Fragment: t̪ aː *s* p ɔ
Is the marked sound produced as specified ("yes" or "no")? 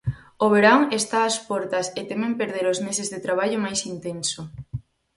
yes